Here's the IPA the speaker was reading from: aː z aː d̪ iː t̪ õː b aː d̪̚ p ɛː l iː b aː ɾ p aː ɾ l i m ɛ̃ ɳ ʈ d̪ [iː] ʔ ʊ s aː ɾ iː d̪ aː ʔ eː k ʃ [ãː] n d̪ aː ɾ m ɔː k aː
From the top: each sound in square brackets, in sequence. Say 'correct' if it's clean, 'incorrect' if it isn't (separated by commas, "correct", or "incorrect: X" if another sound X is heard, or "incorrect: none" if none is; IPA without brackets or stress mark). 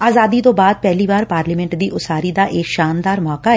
correct, incorrect: aː